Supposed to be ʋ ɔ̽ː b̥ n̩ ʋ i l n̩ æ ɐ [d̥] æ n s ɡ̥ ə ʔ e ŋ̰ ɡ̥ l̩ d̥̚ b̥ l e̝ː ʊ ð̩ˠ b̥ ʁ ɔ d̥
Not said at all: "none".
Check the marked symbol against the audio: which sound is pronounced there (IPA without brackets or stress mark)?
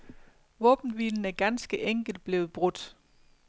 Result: ɡ̥